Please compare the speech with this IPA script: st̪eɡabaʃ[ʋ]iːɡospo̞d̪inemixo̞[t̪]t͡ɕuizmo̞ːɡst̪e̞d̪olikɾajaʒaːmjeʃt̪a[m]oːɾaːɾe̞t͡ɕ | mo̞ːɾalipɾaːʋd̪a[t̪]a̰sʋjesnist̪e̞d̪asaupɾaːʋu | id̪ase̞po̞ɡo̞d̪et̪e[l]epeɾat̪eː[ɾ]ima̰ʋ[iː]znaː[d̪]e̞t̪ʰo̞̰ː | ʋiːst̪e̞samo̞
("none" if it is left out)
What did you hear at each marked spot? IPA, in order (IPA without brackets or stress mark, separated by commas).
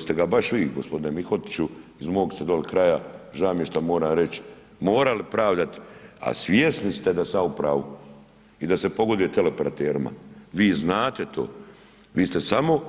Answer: ʋ, t̪, m, t̪, l, ɾ, iː, t̪